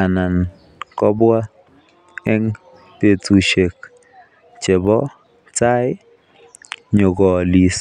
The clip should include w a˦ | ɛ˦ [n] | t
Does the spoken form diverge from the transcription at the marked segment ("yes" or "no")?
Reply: yes